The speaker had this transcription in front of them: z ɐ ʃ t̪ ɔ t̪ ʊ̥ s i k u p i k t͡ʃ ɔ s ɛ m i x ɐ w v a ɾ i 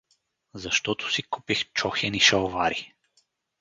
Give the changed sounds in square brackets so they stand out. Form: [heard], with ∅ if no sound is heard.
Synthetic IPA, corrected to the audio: z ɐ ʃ t̪ ɔ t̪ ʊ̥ s i k u p i [x] t͡ʃ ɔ [x] ɛ [n] i [ʃ] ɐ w v a ɾ i

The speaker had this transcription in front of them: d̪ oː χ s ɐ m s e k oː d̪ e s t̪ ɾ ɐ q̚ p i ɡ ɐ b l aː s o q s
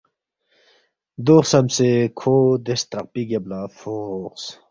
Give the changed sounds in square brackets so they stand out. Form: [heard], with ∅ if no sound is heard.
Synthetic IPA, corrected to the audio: d̪ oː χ s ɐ m s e [kʰ] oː d̪ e s t̪ ɾ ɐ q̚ p i ɡ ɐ b l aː [f] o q s

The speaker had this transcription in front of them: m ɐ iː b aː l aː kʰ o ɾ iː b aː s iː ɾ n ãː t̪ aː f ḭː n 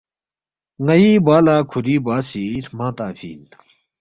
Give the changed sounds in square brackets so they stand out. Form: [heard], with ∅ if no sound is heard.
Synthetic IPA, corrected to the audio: [ŋ] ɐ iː b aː l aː kʰ [u] ɾ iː b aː s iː ɾ [m] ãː t̪ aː f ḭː n

